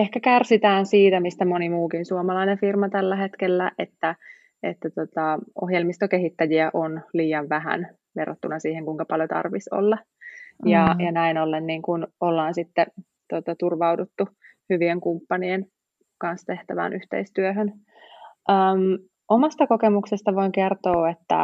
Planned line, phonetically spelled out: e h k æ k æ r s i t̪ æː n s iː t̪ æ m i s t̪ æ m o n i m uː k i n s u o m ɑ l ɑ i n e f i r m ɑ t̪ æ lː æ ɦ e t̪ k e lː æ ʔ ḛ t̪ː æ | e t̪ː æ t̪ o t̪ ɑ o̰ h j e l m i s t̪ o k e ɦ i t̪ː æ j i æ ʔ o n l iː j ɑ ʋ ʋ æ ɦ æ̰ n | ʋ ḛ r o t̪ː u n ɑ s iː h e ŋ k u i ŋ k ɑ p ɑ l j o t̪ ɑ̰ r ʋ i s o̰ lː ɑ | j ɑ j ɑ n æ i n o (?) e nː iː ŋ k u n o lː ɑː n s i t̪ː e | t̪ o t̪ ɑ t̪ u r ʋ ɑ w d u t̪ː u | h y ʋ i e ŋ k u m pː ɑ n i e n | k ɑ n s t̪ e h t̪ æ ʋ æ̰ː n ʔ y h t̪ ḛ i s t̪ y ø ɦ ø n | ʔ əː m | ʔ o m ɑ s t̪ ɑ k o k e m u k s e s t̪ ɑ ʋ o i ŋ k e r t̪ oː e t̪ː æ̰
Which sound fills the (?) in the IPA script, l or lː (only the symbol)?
lː